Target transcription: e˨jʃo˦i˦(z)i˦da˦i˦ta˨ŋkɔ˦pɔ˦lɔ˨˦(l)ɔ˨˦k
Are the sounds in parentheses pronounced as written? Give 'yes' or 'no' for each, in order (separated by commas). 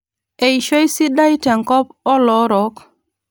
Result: no, no